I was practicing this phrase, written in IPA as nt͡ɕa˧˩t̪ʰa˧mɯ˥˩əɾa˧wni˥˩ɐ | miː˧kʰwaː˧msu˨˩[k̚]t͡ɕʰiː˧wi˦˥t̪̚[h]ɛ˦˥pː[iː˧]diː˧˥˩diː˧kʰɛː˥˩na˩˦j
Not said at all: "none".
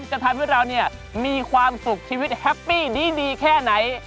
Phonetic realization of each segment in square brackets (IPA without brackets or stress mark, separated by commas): k̚, h, iː˥˩